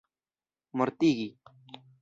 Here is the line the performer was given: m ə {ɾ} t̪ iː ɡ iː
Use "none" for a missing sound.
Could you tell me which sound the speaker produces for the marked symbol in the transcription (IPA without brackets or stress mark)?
ɾ